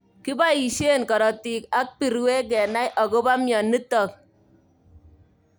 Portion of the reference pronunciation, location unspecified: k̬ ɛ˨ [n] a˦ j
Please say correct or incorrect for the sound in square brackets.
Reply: correct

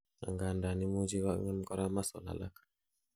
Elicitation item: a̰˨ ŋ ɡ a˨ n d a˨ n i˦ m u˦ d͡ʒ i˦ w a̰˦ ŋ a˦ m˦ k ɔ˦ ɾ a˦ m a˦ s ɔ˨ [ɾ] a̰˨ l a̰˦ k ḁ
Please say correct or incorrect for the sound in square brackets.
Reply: incorrect: l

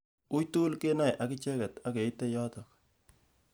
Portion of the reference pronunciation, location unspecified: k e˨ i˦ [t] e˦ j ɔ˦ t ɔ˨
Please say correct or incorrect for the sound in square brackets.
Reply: correct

